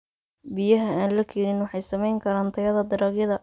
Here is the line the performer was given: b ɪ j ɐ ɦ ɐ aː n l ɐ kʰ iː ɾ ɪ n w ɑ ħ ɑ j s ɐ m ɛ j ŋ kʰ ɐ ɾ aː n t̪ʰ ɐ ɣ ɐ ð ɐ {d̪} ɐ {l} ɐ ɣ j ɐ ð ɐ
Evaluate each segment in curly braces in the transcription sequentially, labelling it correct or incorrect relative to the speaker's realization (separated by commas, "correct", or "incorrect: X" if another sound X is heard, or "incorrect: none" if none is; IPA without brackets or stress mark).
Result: correct, incorrect: ɾ